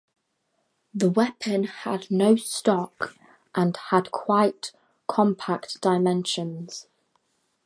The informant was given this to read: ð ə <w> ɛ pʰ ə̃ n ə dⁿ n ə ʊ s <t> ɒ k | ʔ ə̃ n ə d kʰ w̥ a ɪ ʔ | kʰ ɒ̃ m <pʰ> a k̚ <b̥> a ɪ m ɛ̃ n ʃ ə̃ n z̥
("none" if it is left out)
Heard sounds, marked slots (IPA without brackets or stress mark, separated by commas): w, t, pʰ, d̥